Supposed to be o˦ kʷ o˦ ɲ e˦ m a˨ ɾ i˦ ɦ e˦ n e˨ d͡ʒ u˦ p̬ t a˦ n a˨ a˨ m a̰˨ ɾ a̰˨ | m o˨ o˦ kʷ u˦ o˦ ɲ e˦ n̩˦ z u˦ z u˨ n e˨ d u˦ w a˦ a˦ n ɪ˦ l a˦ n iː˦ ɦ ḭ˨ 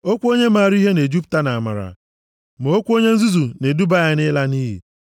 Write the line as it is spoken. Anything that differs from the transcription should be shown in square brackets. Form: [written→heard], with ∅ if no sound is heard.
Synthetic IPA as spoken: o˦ kʷ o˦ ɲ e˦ m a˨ ɾ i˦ ɦ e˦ n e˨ d͡ʒ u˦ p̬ t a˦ n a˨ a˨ m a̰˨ ɾ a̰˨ | m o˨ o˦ kʷ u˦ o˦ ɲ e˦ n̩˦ z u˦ z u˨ n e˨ d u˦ [w→b] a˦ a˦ n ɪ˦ l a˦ n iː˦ ɦ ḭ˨